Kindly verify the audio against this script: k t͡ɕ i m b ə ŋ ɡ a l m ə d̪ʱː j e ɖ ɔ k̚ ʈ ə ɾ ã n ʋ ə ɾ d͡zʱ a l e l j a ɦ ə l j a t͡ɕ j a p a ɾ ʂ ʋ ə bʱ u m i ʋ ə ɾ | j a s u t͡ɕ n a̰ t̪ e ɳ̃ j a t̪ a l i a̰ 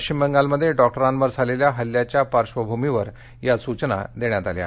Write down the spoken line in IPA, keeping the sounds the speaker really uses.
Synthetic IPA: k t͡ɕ i m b ə ŋ ɡ a l m ə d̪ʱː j e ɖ ɔ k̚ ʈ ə ɾ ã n ʋ ə ɾ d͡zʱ a l e l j a ɦ ə l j a t͡ɕ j a p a ɾ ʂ ʋ ə bʱ u m i ʋ ə ɾ | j a s u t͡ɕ n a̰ d̪ e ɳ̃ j a t̪ a l j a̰